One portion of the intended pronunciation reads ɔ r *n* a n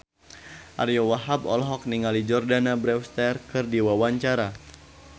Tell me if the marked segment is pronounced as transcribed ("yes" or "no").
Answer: no